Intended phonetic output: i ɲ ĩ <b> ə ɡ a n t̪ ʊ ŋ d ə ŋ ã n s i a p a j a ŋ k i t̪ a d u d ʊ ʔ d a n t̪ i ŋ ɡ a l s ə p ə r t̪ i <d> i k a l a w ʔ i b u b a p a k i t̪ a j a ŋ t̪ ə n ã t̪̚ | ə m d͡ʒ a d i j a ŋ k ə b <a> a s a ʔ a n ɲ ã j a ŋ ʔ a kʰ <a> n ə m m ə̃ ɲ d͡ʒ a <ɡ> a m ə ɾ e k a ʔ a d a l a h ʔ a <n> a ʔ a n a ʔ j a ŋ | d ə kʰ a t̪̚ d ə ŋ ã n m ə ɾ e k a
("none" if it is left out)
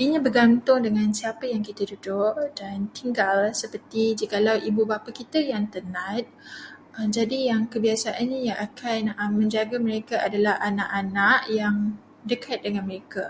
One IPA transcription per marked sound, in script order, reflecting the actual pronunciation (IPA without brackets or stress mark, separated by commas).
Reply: b, d͡ʒ, i, a, ɡ, n